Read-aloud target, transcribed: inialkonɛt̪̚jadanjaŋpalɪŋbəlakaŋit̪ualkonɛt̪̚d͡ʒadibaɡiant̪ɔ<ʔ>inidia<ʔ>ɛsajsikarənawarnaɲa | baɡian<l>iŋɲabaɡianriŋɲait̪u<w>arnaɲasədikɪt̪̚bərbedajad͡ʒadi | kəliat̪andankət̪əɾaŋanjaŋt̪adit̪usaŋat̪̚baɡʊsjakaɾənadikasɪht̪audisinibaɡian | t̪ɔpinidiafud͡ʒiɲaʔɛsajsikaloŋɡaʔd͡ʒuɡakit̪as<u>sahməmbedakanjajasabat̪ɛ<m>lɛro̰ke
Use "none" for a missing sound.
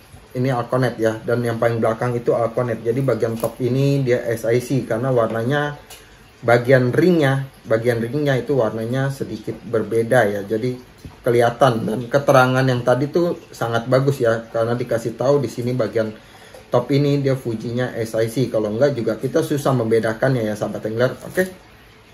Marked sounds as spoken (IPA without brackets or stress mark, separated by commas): p, ʔ, r, w, u, ŋ